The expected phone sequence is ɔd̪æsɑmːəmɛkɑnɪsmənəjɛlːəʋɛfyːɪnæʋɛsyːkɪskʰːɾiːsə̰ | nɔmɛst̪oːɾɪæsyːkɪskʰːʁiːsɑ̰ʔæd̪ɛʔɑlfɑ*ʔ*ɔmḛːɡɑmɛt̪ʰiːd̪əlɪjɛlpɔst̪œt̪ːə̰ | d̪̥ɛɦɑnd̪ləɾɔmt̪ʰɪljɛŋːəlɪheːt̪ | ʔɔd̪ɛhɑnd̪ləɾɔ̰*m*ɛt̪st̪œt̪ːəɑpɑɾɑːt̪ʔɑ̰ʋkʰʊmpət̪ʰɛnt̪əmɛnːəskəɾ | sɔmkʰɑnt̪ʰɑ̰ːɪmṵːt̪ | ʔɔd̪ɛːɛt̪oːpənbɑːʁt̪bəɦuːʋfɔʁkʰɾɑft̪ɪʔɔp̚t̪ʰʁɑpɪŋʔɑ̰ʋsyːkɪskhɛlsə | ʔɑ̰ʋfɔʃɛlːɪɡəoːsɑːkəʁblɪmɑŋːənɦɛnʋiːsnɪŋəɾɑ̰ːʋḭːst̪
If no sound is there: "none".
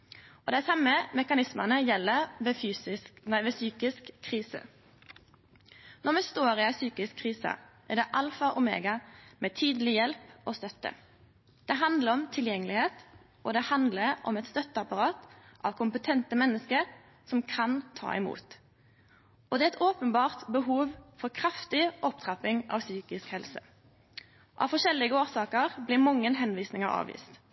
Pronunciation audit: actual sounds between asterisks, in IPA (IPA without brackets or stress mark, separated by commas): ʔ, m